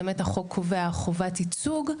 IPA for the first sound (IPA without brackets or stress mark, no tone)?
m